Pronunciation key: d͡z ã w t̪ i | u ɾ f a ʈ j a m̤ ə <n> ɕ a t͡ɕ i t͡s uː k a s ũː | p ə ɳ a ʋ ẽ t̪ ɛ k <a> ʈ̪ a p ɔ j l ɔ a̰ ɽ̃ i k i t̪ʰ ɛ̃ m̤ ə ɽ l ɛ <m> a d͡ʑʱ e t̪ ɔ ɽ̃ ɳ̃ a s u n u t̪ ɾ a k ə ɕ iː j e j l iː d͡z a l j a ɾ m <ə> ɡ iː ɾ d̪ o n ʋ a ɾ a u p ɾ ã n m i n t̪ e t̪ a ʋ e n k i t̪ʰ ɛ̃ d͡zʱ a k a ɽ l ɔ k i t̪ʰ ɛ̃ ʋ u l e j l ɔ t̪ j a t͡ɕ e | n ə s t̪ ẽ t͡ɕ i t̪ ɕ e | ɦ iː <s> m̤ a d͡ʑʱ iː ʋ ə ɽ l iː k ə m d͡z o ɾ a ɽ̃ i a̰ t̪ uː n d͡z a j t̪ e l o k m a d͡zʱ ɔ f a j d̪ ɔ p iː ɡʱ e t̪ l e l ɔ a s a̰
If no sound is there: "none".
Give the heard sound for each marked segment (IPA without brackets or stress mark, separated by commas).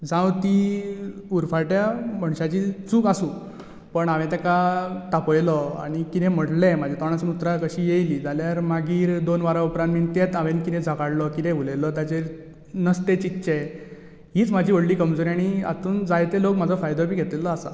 ɳ, a, m, a, t͡s